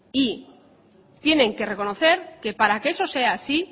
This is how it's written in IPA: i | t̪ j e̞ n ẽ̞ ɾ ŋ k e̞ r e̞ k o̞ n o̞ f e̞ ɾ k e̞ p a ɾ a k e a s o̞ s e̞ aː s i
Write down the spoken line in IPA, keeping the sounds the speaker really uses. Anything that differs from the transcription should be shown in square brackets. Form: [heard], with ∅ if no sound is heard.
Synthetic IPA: i | t̪ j e̞ n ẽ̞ [∅] ŋ k e̞ r e̞ k o̞ n o̞ [θ] e̞ ɾ k e̞ p a ɾ a k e [e] s o̞ s e̞ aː s i